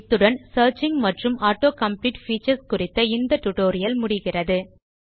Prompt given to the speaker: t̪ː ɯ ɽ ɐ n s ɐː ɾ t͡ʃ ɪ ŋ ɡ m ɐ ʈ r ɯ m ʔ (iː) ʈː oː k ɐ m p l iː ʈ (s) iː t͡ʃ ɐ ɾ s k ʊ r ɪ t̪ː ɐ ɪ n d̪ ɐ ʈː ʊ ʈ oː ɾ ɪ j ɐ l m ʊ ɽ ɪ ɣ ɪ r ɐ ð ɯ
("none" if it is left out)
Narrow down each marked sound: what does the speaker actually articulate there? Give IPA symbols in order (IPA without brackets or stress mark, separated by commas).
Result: aː, f